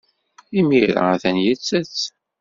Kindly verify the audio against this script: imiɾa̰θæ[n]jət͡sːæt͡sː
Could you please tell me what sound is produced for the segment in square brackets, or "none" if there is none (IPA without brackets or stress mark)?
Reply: n